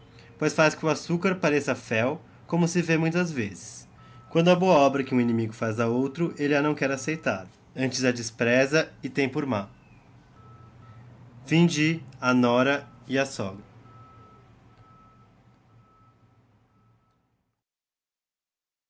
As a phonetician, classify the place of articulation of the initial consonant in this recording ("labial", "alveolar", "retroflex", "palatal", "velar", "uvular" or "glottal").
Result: labial